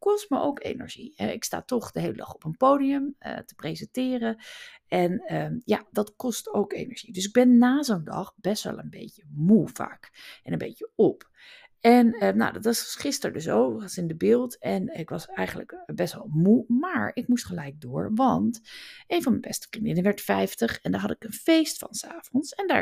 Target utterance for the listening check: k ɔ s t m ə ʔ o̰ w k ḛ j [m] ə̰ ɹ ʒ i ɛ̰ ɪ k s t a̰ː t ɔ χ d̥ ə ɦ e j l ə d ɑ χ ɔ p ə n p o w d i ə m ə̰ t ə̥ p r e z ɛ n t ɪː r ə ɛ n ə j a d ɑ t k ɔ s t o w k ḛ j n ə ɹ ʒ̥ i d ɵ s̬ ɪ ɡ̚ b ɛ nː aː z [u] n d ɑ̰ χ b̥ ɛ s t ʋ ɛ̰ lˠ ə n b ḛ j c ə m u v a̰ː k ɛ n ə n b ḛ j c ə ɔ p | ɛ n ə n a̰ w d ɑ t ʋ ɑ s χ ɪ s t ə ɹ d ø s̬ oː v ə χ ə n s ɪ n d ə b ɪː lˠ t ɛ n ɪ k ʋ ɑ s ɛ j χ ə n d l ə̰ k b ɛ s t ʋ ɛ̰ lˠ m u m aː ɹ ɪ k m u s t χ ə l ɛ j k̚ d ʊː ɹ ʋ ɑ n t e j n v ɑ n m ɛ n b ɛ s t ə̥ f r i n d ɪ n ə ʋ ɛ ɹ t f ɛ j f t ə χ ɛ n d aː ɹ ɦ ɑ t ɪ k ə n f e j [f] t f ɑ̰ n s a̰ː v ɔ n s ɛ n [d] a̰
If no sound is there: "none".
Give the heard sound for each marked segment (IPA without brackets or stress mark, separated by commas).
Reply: n, o, s, d